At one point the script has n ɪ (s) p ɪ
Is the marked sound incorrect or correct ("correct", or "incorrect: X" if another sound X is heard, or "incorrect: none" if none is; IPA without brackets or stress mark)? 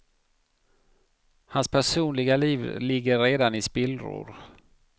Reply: correct